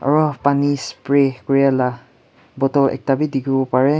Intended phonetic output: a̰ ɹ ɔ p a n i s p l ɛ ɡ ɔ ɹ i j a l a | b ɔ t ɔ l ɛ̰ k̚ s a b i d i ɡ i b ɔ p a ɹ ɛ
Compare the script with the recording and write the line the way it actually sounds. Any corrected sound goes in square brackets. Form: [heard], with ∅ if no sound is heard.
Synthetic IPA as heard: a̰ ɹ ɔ p a n i s p [ɹ] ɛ [k] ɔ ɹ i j a l a | b ɔ t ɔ l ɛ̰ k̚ [t] a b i d i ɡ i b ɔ p a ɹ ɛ